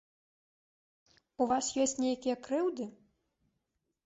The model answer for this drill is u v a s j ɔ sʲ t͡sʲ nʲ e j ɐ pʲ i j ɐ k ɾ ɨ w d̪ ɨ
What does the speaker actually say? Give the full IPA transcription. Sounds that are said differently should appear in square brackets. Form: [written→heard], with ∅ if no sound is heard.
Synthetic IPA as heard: u v a s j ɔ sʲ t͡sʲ nʲ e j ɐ [pʲ→kʲ] i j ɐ k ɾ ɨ w d̪ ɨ